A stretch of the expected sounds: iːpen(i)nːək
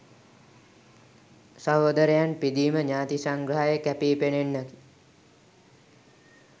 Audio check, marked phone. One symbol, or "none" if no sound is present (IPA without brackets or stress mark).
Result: e